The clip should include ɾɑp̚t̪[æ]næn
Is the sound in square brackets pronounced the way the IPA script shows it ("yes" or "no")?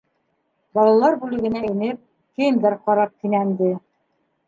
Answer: no